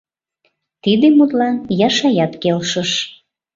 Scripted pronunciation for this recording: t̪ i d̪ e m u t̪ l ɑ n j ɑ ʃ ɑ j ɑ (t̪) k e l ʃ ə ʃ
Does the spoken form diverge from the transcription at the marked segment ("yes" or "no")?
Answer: no